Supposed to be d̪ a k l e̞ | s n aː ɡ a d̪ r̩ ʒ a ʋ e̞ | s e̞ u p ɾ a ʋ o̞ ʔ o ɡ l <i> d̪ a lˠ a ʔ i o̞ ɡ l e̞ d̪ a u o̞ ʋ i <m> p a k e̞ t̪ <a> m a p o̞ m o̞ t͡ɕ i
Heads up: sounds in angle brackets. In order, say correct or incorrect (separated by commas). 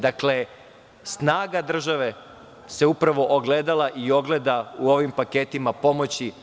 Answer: incorrect, correct, incorrect